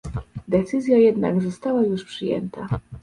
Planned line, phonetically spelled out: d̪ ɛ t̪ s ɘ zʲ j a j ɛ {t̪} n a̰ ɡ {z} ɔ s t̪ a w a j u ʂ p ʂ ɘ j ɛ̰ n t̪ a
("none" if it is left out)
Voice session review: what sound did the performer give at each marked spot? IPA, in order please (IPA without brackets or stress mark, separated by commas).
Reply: d̪, z